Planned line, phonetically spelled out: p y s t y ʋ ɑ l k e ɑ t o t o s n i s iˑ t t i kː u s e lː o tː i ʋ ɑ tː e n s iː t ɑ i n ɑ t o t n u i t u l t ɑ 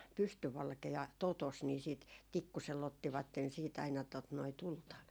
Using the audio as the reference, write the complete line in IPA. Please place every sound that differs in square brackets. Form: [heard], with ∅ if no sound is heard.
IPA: p y s t y ʋ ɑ l k e ɑ t o t o s n i s iˑ t t i kː u s e lː o tː i ʋ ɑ tː e n s iː t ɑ i n ɑ t o t n [o] i t u l t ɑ